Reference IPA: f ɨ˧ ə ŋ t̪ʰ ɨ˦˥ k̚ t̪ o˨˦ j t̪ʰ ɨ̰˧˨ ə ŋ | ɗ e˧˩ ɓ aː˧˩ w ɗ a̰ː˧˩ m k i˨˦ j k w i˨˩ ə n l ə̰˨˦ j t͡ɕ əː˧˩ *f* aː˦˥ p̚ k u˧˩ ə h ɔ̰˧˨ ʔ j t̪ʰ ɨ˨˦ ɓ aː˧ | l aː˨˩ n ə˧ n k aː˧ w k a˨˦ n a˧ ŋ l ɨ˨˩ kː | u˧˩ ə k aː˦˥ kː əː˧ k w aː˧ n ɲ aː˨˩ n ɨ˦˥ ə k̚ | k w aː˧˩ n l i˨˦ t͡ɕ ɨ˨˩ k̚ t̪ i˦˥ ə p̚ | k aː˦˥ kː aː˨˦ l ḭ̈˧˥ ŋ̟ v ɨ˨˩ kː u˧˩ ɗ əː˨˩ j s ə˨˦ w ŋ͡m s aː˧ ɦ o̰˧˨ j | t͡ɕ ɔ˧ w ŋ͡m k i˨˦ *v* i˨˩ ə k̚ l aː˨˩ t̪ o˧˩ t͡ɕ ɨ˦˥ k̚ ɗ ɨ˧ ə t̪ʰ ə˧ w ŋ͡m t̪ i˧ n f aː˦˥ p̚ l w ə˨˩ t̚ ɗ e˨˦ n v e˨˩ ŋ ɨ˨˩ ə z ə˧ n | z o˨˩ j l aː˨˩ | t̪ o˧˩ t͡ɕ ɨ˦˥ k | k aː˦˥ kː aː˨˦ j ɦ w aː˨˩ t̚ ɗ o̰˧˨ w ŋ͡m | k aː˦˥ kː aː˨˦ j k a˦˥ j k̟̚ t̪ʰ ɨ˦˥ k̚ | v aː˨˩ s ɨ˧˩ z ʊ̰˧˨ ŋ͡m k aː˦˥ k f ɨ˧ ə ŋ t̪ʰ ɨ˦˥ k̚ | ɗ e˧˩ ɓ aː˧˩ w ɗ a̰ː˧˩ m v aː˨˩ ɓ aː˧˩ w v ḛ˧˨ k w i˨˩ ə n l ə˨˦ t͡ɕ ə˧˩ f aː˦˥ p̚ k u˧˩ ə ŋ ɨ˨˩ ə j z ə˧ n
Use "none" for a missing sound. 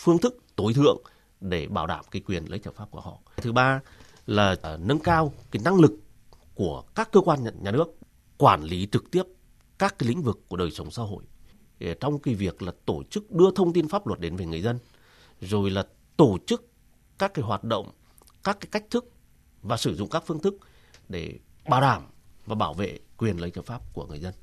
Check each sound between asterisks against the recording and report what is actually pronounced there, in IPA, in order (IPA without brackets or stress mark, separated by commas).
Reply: f, v